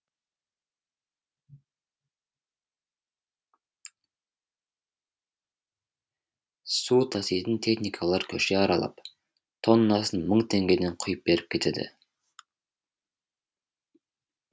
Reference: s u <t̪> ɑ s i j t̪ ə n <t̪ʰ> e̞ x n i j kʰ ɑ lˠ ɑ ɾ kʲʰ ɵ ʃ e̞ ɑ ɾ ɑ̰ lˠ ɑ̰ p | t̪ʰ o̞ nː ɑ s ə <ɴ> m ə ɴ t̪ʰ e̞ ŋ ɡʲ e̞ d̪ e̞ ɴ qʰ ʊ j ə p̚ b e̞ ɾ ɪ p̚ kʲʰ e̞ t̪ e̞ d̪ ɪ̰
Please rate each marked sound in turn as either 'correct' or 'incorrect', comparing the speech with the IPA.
incorrect: t̪ʰ, correct, incorrect: n

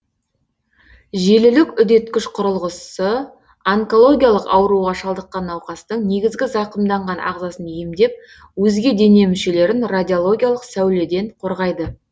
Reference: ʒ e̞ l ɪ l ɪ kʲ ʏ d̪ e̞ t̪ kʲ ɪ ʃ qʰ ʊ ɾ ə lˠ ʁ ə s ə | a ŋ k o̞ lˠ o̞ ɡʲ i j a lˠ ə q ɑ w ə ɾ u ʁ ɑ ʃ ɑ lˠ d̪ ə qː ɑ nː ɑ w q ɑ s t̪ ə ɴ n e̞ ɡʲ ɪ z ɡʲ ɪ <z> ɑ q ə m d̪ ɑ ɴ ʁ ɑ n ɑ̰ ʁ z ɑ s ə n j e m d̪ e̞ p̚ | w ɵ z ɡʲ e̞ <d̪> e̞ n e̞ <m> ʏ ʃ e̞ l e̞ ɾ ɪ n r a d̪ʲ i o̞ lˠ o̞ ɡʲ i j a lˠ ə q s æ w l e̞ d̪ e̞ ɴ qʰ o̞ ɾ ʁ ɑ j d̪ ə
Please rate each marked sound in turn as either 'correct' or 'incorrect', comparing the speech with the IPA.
correct, correct, correct

